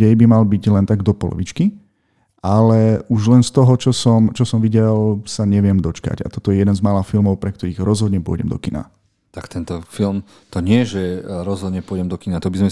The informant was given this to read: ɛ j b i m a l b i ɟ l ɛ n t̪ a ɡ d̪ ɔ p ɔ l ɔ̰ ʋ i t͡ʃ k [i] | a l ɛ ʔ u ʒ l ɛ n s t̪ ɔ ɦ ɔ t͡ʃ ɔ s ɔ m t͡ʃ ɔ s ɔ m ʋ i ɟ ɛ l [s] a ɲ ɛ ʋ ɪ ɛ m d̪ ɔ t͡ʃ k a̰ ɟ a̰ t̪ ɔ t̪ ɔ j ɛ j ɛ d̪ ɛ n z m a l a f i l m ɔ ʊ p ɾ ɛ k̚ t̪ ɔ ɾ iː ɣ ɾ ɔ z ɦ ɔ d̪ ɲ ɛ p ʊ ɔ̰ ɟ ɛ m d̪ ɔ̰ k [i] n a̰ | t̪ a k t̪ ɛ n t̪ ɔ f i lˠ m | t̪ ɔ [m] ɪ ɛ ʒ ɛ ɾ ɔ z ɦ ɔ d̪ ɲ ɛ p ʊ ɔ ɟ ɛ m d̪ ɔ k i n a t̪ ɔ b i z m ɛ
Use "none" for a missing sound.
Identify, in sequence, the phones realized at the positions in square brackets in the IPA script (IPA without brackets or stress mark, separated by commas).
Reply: i, s, i, ɲ